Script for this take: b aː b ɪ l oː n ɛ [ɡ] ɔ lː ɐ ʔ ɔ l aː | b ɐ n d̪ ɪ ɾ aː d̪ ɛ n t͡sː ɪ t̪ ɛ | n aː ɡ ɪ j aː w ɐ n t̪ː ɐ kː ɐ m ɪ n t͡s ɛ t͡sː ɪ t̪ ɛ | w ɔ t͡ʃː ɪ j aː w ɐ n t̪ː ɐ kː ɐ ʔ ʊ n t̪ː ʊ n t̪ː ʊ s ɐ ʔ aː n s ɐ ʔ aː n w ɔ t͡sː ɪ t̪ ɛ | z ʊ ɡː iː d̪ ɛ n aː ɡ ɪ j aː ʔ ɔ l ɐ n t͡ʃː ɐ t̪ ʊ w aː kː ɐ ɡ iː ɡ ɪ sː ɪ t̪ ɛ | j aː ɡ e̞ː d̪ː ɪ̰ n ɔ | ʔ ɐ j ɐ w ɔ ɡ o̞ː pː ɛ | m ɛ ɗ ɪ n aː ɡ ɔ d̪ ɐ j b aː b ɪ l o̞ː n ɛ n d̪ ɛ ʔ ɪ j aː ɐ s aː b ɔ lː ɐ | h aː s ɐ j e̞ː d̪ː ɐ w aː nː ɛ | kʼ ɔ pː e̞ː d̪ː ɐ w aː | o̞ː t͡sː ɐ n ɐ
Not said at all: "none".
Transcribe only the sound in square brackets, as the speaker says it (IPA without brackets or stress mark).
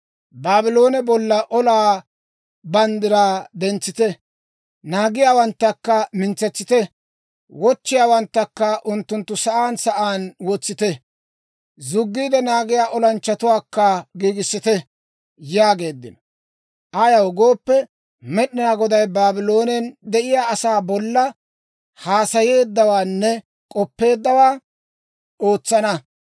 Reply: b